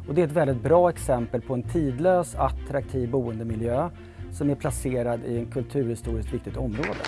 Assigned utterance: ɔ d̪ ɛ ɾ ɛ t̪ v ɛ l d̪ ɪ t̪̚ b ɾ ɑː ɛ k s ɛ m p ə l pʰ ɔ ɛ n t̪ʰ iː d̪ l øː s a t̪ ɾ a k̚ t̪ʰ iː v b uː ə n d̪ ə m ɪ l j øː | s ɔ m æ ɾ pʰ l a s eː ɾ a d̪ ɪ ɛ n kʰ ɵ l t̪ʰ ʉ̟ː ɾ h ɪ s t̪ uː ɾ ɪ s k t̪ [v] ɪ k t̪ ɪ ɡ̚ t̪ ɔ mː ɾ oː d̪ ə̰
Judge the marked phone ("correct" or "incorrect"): correct